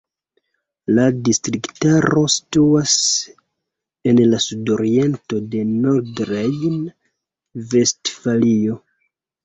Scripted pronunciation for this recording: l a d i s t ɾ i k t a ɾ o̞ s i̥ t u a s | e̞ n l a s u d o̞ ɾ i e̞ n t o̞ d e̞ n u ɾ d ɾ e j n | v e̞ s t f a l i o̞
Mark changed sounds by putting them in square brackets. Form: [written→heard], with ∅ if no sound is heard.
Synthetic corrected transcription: l a d i s t ɾ i k t a ɾ o̞ s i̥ t u a s | e̞ n l a s u d o̞ ɾ i e̞ n t o̞ d e̞ n [u→o] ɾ d ɾ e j n | v e̞ s t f a l i o̞

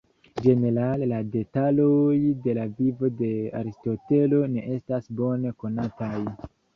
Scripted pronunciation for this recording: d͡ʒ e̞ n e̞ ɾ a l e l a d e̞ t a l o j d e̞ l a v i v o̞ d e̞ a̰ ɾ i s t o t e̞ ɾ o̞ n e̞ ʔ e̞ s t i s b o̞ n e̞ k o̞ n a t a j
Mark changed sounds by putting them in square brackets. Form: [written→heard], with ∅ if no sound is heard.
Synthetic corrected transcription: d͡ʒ e̞ n e̞ ɾ a l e l a d e̞ t a l o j d e̞ l a v i v o̞ d e̞ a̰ ɾ i s t o t e̞ [ɾ→l] o̞ n e̞ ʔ e̞ s t [i→a] s b o̞ n e̞ k o̞ n a t a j

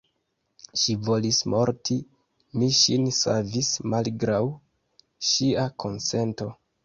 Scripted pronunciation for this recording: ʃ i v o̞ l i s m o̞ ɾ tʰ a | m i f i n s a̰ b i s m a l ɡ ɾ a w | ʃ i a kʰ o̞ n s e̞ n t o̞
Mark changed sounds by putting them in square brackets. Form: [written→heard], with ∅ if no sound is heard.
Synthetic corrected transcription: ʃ i v o̞ l i s m o̞ ɾ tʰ [a→i] | m i [f→ʃ] i n s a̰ [b→v] i s m a l ɡ ɾ a w | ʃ i a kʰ o̞ n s e̞ n t o̞

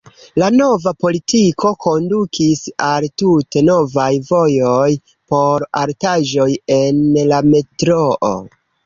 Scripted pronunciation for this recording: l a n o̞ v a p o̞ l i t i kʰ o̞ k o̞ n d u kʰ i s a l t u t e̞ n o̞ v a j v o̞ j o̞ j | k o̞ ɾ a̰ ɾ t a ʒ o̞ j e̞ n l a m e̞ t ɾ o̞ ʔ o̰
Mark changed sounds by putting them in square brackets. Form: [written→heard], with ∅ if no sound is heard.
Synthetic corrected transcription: l a n o̞ v a p o̞ l i t i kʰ o̞ k o̞ n d u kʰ i s a l t u t e̞ n o̞ v a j v o̞ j o̞ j | [k→p] o̞ ɾ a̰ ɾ t a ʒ o̞ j e̞ n l a m e̞ t ɾ o̞ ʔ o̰

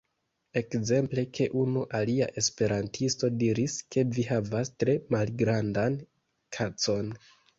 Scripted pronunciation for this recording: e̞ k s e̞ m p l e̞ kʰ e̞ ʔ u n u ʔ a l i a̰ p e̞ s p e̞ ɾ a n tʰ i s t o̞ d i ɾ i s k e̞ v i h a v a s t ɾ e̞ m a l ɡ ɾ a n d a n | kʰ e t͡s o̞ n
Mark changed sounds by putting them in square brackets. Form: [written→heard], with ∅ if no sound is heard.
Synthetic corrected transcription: e̞ k [s→z] e̞ m p l e̞ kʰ e̞ ʔ u n u ʔ a l i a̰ [p→ʔ] e̞ s p e̞ ɾ a n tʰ i s t o̞ d i ɾ i s k e̞ v i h a v a s t ɾ e̞ m a l ɡ ɾ a n d a n | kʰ [e→a] t͡s o̞ n

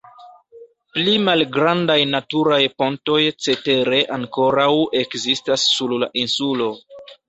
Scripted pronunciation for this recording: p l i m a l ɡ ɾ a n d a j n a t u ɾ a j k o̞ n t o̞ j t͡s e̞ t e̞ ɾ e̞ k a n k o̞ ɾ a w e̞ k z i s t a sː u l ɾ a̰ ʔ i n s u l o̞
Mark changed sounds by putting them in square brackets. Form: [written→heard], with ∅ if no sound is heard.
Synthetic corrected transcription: p l i m a l ɡ ɾ a n d a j n a t u ɾ a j [k→p] o̞ n t o̞ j t͡s e̞ t e̞ ɾ e̞ [k→ʔ] a [n→ŋ] k o̞ ɾ a w e̞ k z i s t a sː u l [ɾ→l] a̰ ʔ i n s u l o̞

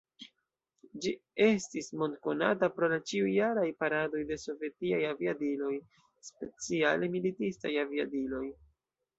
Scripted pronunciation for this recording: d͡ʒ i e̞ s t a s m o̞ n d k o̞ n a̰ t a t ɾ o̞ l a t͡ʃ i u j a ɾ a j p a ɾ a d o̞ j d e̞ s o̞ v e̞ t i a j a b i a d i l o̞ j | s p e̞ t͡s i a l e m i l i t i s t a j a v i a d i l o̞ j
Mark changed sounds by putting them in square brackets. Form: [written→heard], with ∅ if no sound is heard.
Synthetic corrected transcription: d͡ʒ i e̞ s t [a→i] s m o̞ n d k o̞ n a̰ t a [t→p] ɾ o̞ l a t͡ʃ i u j a ɾ a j p a ɾ a d o̞ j d e̞ s o̞ v e̞ t i a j a [b→v] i a d i l o̞ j | s p e̞ t͡s i a l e m i l i t i s t a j a v i a d i l o̞ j

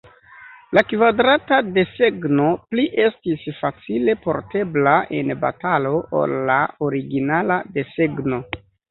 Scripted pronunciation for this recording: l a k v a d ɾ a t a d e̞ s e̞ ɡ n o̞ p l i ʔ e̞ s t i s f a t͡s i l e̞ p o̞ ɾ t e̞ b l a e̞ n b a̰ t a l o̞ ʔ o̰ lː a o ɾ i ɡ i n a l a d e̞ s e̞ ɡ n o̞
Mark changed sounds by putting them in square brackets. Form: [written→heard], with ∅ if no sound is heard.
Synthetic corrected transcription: l a k v a d ɾ a t a d e̞ s e̞ ɡ n o̞ p l i ʔ e̞ s t i s f a t͡s i l e̞ p o̞ ɾ t e̞ b l a e̞ n b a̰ t a l o̞ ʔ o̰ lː a o ɾ i ɡ i n a l a d e̞ s e̞ ɡ n o̞

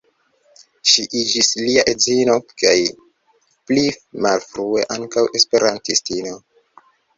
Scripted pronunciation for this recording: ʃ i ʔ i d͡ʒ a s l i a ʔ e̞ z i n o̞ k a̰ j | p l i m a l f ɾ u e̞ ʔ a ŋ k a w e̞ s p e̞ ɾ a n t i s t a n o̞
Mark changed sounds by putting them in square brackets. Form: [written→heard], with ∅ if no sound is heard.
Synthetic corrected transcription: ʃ i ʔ i d͡ʒ [a→i] s l i a ʔ e̞ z i n o̞ k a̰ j | p l i m a l f ɾ u e̞ ʔ a ŋ k a w e̞ s p e̞ ɾ a n t i s t [a→i] n o̞

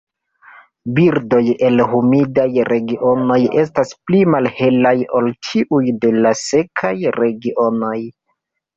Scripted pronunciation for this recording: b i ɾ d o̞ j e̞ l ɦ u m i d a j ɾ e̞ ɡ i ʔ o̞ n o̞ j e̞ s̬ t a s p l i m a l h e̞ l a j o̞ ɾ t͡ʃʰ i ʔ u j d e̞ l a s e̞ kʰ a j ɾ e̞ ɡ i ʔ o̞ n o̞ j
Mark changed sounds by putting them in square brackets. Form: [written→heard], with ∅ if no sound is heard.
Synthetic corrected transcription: b i ɾ d o̞ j e̞ l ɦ u m i d a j ɾ e̞ ɡ i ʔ o̞ n o̞ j e̞ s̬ t a s p l i m a l h e̞ l a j o̞ [ɾ→l] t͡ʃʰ i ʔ u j d e̞ l a s e̞ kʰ a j ɾ e̞ ɡ i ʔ o̞ n o̞ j

